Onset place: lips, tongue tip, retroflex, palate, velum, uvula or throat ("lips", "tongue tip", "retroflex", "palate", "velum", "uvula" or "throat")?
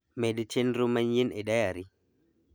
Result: lips